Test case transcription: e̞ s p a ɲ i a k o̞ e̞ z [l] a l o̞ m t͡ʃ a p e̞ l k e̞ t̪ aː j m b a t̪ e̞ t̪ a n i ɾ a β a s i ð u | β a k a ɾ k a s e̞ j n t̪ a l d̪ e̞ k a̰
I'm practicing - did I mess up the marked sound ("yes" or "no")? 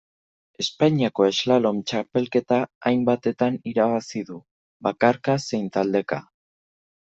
no